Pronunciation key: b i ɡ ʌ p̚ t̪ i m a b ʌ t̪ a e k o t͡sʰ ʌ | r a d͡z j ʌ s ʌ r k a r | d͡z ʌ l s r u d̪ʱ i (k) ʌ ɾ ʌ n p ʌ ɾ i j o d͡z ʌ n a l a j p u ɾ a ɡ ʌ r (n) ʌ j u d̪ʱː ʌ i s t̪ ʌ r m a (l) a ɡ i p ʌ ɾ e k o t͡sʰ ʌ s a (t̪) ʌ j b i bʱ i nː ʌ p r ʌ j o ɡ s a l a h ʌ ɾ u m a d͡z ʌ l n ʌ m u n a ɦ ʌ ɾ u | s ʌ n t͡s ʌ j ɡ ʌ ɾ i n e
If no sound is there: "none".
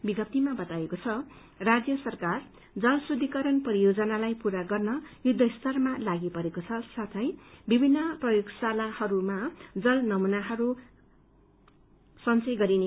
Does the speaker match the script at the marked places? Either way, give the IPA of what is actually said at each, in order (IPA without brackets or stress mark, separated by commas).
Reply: k, n, l, t̪ʰ